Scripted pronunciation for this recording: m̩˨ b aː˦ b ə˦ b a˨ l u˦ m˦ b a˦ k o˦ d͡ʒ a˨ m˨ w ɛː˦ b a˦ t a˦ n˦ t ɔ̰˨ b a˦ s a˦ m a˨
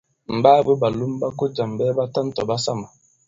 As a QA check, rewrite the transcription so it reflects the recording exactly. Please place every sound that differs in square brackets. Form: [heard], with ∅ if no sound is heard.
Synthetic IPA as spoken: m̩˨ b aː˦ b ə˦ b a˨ l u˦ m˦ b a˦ k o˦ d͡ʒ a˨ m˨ [b] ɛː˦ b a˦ t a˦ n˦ t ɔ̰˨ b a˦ s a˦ m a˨

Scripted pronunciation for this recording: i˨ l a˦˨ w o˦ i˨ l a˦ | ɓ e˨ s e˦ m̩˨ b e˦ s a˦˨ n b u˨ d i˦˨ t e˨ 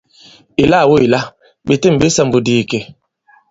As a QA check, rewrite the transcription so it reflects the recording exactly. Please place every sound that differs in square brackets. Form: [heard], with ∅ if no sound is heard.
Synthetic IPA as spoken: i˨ l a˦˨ w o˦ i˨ l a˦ | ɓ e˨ [t] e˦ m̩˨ b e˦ s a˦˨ [m] b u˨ d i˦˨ [k] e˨

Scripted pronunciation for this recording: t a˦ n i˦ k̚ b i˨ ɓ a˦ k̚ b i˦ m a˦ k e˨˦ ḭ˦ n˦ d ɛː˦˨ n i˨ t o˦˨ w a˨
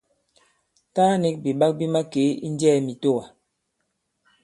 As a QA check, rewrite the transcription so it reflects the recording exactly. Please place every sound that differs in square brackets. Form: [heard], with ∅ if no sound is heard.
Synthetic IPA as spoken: t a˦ n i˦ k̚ b i˨ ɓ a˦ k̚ b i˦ m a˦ k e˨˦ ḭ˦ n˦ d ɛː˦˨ [m] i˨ t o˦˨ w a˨

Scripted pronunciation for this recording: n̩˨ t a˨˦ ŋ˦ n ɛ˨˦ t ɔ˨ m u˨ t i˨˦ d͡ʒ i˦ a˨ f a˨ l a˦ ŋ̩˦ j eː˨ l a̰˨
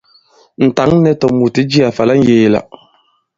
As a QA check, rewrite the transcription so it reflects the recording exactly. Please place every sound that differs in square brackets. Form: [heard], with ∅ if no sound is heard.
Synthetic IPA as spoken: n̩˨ t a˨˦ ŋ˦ n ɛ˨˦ t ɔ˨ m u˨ t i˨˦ d͡ʒ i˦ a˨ f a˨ l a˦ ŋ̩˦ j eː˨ l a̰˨

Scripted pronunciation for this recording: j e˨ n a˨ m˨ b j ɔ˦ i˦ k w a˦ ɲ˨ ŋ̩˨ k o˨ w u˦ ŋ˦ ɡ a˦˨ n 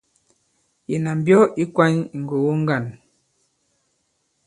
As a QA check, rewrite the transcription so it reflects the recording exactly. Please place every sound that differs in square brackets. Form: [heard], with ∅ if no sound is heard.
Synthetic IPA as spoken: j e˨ n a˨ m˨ b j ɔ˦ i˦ k w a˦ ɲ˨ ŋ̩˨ [ɡ] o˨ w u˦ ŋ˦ ɡ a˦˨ n

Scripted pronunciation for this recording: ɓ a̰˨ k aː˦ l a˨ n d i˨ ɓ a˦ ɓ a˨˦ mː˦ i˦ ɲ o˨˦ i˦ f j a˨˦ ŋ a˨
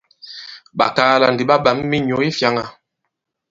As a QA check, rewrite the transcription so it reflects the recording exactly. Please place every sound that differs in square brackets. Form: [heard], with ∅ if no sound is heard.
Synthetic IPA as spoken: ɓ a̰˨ k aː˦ l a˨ n d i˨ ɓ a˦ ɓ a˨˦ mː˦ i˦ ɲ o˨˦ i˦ f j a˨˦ ŋ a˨

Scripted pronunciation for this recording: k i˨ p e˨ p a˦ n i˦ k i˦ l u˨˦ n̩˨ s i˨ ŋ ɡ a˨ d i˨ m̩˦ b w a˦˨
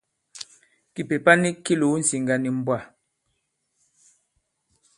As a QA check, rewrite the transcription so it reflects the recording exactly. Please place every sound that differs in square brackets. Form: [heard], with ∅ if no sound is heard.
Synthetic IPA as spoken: k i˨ p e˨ p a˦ n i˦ k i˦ l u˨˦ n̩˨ s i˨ ŋ ɡ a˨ [n] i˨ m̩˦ b w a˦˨

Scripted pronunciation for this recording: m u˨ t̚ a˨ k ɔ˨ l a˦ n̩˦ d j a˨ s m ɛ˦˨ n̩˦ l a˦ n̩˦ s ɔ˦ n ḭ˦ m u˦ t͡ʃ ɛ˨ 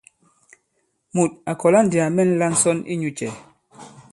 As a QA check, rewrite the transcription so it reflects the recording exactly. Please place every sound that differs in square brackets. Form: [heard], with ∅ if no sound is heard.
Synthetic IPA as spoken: m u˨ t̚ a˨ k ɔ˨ l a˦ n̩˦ d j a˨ [∅] m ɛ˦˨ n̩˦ l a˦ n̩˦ s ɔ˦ n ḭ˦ [ɲ] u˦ t͡ʃ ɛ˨

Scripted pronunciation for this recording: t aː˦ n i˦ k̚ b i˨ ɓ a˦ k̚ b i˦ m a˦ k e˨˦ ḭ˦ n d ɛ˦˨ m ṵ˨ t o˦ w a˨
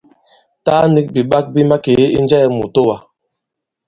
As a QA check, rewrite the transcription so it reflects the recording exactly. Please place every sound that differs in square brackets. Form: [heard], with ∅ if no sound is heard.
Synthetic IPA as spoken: t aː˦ n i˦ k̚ b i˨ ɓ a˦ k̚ b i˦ m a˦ k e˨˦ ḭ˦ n [d͡ʒ] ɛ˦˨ m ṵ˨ t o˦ w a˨

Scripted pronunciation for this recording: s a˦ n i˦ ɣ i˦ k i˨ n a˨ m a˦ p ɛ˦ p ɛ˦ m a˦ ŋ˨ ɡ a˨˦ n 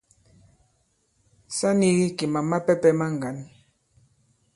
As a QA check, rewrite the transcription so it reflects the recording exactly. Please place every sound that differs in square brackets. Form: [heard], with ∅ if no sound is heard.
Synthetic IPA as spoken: s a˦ n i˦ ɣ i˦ k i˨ [m] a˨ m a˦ p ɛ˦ p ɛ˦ m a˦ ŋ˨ ɡ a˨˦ n

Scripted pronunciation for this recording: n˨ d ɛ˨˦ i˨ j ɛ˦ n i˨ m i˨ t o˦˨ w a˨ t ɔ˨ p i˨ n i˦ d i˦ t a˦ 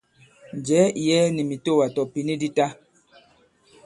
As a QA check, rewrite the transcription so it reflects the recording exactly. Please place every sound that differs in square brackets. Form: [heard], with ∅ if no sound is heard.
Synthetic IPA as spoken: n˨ [d͡ʒ] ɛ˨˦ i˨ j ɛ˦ n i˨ m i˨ t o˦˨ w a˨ t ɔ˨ p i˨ n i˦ d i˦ t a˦

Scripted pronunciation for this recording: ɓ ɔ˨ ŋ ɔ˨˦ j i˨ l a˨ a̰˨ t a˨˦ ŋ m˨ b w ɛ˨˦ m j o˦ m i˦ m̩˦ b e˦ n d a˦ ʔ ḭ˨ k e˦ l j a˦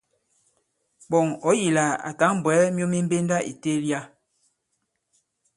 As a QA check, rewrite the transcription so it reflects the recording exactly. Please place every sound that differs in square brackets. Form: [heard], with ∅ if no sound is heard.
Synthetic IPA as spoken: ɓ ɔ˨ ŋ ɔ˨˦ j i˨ l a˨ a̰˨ t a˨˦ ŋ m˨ b w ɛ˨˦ m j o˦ m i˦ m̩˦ b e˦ n d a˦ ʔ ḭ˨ [t] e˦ l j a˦

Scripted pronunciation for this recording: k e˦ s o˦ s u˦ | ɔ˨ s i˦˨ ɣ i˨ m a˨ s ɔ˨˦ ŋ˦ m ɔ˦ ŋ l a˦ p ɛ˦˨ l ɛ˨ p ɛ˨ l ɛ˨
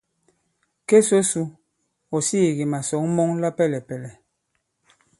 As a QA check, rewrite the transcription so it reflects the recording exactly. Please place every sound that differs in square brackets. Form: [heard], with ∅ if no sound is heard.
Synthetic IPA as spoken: k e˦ s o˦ s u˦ | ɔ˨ s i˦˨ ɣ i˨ m a˨ s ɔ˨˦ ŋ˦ m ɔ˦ ŋ l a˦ p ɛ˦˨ l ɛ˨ p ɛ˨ l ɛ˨

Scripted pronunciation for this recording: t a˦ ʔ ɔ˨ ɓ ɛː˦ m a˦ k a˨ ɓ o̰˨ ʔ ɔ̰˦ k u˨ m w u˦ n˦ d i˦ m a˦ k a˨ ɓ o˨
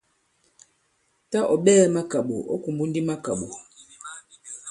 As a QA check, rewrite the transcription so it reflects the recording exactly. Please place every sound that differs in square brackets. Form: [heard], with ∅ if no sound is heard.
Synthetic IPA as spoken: t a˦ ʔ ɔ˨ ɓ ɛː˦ m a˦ k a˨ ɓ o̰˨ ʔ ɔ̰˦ k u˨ m [b] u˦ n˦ d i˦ m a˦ k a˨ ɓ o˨

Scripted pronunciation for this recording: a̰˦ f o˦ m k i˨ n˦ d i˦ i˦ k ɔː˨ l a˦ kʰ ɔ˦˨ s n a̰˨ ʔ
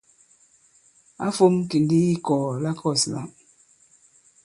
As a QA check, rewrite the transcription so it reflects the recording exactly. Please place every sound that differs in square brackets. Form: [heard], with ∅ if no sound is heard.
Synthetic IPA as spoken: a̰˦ f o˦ m k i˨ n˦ d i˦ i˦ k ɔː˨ l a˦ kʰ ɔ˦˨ s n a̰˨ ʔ

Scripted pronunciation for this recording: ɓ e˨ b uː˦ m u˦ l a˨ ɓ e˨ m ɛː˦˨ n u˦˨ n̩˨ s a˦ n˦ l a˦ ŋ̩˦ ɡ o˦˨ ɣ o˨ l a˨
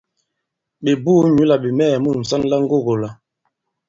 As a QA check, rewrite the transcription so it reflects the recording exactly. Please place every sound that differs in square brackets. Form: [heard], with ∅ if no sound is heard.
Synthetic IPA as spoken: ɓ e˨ b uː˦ [ɲ] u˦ l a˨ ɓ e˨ m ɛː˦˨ [m] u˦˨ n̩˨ s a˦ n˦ l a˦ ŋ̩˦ ɡ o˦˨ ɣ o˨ l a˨

